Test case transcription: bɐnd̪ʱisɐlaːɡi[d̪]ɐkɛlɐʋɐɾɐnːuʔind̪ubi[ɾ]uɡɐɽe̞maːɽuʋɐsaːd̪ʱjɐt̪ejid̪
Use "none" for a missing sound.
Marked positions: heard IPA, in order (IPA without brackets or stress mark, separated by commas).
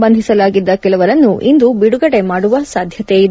d̪ː, ɽ